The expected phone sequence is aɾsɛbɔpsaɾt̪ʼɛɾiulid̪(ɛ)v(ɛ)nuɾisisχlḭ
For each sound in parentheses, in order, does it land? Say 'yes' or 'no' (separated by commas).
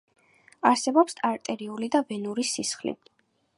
no, yes